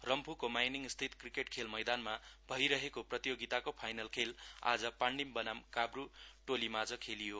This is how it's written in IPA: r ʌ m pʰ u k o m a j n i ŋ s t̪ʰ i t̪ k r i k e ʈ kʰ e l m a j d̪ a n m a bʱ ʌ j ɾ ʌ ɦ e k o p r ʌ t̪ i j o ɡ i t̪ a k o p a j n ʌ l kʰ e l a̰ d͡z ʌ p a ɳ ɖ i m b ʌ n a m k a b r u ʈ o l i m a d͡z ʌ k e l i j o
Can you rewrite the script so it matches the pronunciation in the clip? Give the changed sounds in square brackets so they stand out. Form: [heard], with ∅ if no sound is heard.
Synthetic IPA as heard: r ʌ m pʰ u k o m a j n i ŋ s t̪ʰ i t̪ k r i k e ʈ kʰ e l m [ʌ] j d̪ a n m a bʱ ʌ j ɾ ʌ ɦ e k o p r ʌ t̪ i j o ɡ i t̪ a k o [pʰ] a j n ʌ l kʰ e l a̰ d͡z ʌ p a ɳ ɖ i m b ʌ n a m k a b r u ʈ o l i m a d͡z ʌ [kʰ] e l i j o